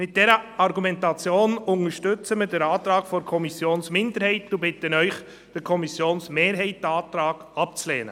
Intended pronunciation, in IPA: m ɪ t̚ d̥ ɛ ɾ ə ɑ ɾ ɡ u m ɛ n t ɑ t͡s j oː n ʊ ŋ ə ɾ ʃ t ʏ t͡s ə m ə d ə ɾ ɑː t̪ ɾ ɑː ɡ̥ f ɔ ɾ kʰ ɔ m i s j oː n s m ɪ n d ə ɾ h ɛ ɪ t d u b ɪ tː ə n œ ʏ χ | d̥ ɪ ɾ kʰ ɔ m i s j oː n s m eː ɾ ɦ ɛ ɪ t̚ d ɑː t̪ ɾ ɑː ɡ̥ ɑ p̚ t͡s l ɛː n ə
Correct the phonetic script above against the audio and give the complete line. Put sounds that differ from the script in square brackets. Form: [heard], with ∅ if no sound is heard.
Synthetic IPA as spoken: m ɪ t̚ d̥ ɛ ɾ ə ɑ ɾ ɡ u m ɛ n t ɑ t͡s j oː n ʊ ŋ ə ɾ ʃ t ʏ t͡s ə m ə d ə ɾ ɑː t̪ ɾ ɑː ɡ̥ f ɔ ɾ kʰ ɔ m i s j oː n s m ɪ n d ə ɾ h ɛ ɪ t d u b ɪ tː ə n œ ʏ χ | d̥ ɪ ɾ kʰ ɔ m i s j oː n s m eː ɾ ɦ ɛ ɪ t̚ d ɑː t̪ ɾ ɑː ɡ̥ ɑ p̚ t͡s l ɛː n ə